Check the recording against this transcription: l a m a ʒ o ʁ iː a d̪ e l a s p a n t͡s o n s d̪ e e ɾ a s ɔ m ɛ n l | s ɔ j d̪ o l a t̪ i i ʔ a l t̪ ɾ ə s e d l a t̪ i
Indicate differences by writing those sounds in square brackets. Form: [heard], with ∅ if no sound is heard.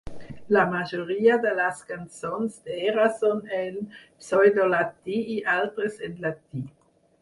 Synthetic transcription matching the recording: l a m a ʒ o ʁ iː a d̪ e l a s [k] a n t͡s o n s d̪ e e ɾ a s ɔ [n] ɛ [∅] l | s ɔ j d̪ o l a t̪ i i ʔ a l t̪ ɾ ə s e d l a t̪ i